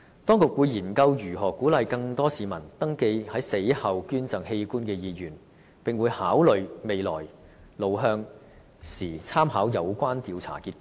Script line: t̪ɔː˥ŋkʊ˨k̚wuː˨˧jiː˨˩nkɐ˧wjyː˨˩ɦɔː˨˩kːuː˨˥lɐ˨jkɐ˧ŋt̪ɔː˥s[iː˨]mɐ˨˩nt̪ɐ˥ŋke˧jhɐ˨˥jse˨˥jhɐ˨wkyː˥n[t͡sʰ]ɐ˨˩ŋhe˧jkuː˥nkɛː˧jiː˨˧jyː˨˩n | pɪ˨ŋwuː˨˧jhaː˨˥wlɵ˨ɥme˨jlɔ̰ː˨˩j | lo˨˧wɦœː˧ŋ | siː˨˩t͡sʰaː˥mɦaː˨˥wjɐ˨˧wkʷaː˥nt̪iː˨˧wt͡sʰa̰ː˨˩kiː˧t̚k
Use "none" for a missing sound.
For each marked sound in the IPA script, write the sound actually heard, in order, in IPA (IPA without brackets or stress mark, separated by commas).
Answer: iː˨, t͡s